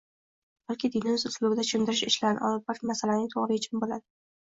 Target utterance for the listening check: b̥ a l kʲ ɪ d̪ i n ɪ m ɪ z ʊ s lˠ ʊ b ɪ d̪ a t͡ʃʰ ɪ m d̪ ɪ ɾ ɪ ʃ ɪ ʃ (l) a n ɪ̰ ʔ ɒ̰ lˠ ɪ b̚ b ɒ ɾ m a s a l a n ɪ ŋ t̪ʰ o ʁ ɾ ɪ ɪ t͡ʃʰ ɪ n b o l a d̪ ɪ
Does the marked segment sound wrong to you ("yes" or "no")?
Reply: no